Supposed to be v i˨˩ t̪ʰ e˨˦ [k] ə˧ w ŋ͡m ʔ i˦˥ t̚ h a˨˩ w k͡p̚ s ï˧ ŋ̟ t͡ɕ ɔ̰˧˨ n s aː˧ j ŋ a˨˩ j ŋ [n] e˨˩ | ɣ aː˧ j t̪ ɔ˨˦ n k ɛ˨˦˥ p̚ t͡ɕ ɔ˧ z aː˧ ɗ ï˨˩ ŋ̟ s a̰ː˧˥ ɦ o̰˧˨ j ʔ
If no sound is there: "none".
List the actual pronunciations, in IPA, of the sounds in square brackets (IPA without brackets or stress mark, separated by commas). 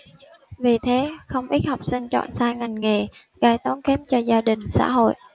x, ŋ